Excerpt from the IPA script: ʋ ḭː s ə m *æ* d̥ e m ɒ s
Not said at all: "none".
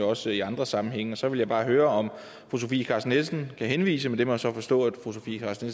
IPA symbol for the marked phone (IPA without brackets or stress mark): e